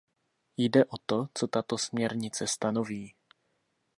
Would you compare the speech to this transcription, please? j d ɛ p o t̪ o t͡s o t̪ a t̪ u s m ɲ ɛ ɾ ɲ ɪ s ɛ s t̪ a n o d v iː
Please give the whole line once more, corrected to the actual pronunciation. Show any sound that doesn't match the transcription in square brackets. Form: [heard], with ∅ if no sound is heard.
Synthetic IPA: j d ɛ [ʔ] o t̪ o t͡s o t̪ a t̪ [o] s m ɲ ɛ ɾ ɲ ɪ [t͡s] ɛ s t̪ a n o [∅] v iː